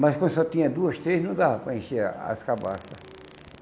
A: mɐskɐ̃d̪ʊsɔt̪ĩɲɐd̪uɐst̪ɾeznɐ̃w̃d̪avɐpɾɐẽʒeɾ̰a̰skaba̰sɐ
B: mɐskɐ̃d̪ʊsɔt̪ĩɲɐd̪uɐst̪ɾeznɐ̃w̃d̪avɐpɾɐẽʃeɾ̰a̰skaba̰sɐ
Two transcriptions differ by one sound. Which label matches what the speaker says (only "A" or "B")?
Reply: B